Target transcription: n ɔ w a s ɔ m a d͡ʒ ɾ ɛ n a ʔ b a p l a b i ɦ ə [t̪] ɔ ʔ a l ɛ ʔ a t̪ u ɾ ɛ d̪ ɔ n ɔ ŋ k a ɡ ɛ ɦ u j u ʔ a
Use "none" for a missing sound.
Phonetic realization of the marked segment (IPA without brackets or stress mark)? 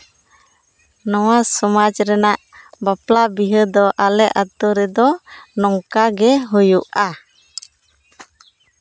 d̪